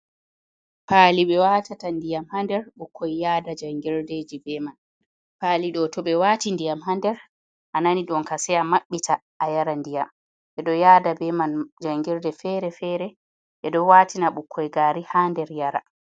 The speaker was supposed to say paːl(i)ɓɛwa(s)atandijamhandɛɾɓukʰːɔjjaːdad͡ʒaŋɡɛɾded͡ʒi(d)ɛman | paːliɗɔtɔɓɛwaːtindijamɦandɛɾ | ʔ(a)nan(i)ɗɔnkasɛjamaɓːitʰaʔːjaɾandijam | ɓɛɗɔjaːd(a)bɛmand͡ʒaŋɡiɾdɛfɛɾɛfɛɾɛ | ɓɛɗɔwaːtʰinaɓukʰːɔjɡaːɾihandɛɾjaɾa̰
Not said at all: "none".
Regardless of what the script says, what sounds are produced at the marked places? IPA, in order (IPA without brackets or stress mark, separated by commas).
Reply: i, t, b, a, i, a